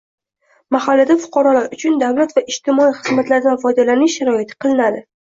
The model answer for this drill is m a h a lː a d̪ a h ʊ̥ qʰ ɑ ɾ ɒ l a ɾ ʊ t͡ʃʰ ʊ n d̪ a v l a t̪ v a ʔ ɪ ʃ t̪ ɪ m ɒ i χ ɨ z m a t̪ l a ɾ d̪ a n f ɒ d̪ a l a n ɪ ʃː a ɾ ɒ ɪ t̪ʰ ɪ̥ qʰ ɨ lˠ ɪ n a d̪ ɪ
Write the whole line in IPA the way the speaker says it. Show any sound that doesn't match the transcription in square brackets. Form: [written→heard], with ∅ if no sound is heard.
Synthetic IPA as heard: m a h a lː a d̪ a [h→f] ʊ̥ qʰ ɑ ɾ ɒ l a ɾ ʊ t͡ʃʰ ʊ n d̪ a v l a t̪ v a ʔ ɪ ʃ t̪ ɪ m ɒ i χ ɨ z m a t̪ l a ɾ d̪ a n f ɒ d̪ a l a n ɪ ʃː a ɾ ɒ ɪ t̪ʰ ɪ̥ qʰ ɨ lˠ ɪ n a d̪ ɪ